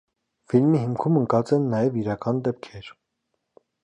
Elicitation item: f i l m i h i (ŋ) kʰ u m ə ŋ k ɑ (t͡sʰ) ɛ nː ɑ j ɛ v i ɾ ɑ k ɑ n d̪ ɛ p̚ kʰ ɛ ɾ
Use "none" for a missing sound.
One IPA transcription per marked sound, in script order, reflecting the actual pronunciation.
m, t͡s

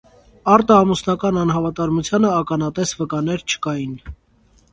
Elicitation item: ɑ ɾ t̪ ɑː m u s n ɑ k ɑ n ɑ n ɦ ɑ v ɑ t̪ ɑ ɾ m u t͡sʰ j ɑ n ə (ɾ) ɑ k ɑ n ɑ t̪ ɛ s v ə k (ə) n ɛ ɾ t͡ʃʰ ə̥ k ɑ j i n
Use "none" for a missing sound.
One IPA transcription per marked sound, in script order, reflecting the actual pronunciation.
none, ɑ

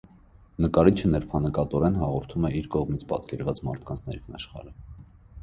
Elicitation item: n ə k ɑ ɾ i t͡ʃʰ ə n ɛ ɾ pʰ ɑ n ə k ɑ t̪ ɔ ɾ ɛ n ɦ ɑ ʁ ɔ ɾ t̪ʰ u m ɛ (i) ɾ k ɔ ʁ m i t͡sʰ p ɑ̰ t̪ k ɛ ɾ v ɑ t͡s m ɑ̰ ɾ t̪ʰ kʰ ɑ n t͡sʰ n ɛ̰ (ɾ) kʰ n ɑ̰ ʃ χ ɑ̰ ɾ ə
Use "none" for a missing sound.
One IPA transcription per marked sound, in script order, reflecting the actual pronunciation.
i, ɾ

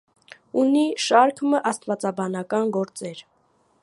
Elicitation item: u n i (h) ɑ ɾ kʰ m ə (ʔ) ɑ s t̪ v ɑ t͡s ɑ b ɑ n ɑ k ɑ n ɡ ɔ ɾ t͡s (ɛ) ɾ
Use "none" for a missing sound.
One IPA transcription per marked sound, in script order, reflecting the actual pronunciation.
ʃ, ʔ, ɛ

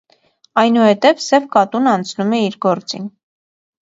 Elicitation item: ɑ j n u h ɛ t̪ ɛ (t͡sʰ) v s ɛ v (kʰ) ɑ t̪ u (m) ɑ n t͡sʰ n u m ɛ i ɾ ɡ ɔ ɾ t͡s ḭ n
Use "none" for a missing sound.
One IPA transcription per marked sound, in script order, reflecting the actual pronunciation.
none, k, n

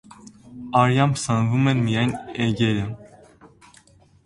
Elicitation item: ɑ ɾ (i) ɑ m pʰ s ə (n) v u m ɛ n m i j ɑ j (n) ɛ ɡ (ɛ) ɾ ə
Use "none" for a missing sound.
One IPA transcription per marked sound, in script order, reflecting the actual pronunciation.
j, n, n, ɛ

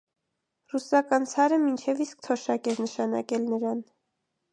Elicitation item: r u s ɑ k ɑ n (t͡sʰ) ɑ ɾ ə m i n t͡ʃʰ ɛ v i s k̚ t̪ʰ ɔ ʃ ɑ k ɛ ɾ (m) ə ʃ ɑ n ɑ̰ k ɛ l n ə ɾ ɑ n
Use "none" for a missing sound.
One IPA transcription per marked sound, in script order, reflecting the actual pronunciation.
t͡sʰ, n

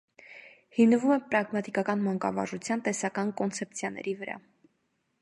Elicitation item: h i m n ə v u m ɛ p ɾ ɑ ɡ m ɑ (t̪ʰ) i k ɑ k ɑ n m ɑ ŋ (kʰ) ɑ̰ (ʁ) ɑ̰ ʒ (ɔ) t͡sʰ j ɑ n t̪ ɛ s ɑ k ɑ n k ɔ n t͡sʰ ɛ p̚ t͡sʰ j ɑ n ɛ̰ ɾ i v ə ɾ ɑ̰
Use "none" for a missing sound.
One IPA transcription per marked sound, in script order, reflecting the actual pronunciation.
t̪, k, v, u

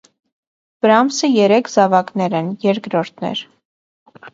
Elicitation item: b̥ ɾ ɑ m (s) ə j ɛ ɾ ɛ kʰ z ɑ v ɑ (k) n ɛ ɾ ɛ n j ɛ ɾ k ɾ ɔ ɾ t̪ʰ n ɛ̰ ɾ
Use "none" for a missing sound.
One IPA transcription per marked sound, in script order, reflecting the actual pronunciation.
s, k

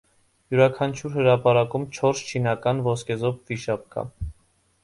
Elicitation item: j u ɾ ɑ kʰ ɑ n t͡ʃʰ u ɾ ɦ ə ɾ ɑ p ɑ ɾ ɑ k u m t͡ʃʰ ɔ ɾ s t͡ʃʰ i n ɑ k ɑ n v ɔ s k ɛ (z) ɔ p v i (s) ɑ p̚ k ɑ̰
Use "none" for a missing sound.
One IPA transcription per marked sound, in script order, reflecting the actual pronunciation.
z, ʃ

